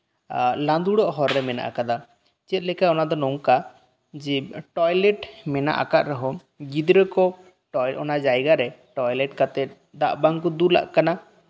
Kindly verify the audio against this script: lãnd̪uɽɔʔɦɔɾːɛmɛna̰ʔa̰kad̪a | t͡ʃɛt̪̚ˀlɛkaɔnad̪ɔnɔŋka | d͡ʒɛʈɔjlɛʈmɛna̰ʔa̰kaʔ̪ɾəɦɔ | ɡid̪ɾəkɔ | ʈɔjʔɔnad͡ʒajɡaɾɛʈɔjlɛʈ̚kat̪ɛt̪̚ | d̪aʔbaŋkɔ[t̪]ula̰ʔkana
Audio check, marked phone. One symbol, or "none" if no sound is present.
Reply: d̪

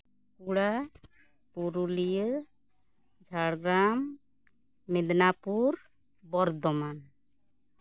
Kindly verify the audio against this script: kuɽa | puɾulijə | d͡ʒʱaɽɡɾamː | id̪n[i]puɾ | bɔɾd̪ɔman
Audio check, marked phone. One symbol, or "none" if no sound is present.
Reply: a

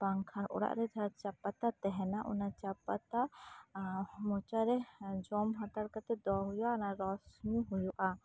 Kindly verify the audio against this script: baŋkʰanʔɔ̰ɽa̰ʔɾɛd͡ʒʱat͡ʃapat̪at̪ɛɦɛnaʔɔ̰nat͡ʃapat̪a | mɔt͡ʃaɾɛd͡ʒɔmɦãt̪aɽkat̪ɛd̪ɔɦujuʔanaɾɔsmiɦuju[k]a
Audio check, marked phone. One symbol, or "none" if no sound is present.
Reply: ʔ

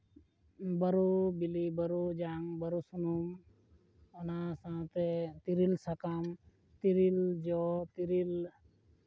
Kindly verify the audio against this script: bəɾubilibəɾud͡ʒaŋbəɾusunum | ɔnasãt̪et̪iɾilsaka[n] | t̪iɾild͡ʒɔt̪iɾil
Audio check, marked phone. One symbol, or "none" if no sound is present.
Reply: m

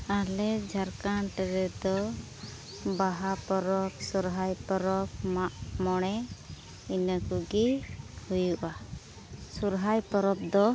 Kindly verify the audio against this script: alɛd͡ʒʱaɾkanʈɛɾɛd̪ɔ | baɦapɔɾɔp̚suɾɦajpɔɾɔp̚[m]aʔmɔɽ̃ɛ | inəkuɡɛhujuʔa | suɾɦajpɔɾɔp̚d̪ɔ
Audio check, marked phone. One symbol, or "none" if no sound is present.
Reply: m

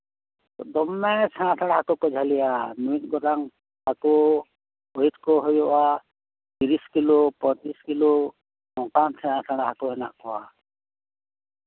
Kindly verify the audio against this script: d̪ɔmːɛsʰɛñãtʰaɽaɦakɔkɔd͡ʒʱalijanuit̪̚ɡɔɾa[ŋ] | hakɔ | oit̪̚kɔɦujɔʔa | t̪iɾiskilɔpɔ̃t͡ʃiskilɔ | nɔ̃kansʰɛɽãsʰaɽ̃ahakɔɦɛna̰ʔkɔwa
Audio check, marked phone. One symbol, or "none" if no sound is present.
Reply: ŋ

